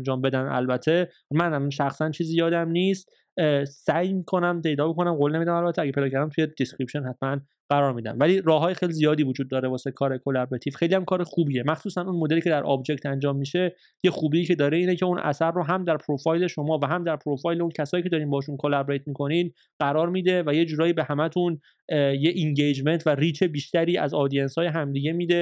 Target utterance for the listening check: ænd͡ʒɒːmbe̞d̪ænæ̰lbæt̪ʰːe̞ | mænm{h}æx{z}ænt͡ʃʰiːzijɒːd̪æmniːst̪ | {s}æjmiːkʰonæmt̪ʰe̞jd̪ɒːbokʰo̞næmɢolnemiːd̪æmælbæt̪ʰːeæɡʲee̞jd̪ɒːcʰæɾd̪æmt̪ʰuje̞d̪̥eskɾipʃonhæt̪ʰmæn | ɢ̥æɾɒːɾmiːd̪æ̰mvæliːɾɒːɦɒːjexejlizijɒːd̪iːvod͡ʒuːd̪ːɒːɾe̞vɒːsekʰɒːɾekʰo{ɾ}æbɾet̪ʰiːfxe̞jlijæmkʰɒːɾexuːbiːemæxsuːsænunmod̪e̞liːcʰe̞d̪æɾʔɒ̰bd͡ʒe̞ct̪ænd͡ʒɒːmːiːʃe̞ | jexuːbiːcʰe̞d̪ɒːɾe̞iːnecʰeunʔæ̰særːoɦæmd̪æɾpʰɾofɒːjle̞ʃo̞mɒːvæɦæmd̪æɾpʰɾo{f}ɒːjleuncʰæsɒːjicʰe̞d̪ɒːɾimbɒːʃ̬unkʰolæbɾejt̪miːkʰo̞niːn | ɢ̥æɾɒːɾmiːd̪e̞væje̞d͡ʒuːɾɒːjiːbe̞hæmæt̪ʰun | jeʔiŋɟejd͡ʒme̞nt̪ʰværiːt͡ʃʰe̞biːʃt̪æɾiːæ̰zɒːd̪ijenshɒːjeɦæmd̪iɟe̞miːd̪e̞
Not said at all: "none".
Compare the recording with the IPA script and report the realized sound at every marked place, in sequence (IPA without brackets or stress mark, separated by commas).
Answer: ʃ, s, s, l, f